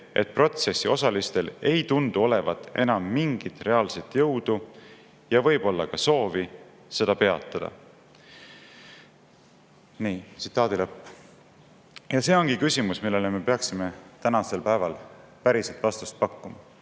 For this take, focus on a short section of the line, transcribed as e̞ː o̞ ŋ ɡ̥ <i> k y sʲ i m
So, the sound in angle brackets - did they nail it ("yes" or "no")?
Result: yes